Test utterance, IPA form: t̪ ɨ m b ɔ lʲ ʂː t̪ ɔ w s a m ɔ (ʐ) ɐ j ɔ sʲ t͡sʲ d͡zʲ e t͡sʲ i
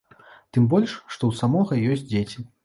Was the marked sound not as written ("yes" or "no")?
yes